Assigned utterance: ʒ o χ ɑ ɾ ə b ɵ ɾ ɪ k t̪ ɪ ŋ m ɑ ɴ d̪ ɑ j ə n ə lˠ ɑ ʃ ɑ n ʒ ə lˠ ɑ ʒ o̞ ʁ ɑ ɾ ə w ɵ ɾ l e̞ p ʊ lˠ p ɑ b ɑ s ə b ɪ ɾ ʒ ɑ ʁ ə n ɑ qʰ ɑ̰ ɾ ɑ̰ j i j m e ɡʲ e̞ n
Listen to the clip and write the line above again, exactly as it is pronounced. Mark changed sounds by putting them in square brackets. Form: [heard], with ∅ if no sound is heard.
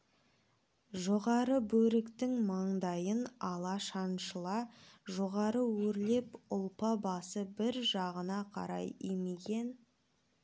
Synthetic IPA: ʒ o [ʁ] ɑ ɾ ə b ɵ ɾ ɪ k t̪ ɪ ŋ m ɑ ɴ d̪ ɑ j ə n [ɑ] lˠ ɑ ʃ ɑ n [ʃ] ə lˠ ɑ ʒ o̞ ʁ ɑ ɾ ə w ɵ ɾ l e̞ p ʊ lˠ p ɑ b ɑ s ə b ɪ ɾ ʒ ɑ ʁ ə n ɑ qʰ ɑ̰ ɾ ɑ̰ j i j m e ɡʲ e̞ n